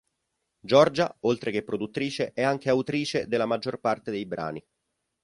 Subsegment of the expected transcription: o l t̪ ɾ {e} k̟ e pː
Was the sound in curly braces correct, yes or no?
yes